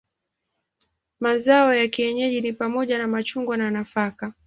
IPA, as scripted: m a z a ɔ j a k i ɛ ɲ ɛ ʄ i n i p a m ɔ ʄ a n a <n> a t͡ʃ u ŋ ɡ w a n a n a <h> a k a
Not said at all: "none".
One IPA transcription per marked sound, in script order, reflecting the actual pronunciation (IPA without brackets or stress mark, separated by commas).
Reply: m, f